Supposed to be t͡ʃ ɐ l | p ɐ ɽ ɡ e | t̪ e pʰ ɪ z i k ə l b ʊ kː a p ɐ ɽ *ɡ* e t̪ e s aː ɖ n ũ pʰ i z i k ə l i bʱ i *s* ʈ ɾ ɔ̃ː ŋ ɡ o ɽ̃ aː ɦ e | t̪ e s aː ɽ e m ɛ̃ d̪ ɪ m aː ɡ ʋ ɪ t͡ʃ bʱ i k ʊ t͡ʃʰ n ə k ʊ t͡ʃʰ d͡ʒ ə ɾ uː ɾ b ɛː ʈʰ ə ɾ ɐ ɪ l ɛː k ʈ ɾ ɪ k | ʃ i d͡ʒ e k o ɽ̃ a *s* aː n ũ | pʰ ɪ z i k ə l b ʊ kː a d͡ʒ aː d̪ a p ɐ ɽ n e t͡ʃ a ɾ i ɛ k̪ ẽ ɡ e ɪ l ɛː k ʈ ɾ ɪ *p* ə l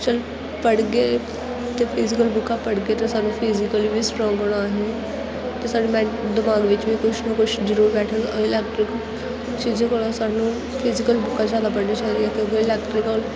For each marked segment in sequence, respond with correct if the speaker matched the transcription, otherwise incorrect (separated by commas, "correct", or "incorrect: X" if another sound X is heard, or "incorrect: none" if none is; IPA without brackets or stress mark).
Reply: correct, correct, correct, incorrect: k